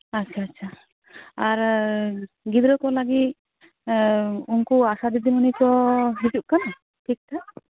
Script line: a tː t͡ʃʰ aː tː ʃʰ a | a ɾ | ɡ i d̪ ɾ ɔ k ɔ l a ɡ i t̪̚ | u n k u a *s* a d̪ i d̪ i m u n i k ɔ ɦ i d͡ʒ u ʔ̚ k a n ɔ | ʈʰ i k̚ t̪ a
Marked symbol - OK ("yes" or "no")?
yes